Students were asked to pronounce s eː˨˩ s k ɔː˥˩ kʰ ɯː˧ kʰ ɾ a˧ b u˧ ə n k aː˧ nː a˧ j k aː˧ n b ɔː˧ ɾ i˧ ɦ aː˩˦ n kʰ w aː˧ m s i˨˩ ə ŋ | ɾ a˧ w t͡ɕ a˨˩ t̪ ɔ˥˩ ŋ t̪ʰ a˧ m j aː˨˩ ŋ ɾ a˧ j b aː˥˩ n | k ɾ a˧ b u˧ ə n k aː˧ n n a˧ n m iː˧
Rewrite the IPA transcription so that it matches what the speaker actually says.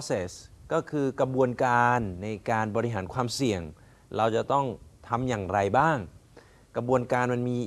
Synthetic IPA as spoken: s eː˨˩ s k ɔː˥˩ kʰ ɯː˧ k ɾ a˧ b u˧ ə n k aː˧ nː a˧ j k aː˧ n b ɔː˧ ɾ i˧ ɦ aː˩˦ n kʰ w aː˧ m s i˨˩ ə ŋ | ɾ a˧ w t͡ɕ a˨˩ t̪ ɔ˥˩ ŋ t̪ʰ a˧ m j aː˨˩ ŋ ɾ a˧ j b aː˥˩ ŋ | k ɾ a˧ b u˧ ə n k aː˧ n m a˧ n m iː˧

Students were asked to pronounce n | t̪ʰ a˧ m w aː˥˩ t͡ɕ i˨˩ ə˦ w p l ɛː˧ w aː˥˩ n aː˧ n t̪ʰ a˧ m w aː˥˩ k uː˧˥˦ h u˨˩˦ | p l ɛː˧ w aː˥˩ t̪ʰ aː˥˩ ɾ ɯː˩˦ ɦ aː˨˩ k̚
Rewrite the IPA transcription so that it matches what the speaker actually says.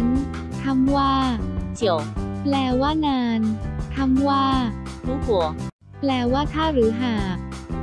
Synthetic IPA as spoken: n | t̪ʰ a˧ m w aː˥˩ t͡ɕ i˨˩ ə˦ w p l ɛː˧ w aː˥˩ n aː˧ n t̪ʰ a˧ m w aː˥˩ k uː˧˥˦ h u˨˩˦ | p l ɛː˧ w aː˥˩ t̪ʰ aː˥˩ ɾ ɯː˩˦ ɦ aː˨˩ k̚

